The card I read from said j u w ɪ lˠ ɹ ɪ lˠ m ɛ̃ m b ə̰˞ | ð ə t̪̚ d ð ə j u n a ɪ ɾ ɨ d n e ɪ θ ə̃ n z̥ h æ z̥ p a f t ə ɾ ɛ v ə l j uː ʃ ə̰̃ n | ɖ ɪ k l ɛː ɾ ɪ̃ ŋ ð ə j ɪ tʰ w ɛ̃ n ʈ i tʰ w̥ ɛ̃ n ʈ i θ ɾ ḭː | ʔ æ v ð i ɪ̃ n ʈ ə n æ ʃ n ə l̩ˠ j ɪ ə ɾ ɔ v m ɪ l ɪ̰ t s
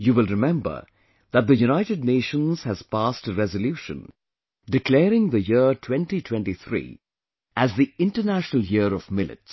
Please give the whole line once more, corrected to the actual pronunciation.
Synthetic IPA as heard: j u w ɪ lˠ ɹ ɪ m ɛ̃ m b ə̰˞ | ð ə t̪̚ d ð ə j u n a ɪ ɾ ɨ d n e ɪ ʃ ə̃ n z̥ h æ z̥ p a s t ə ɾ ɛ z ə l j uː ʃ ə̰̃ n | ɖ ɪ k l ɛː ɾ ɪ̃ ŋ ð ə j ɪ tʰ w ɛ̃ n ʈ i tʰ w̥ ɛ̃ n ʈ i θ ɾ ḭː | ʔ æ z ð i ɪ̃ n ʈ ə n æ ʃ n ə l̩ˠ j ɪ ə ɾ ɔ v m ɪ l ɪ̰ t s